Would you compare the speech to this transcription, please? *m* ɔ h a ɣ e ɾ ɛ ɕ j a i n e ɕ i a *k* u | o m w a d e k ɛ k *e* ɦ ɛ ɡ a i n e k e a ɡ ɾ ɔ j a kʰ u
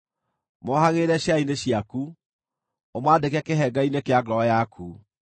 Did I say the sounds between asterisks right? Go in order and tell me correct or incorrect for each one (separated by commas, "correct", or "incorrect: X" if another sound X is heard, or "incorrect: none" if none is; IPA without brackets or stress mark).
correct, correct, correct